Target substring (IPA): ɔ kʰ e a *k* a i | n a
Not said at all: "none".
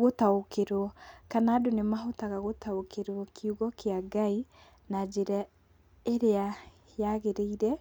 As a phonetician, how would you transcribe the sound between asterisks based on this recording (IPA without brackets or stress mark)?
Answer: ɡ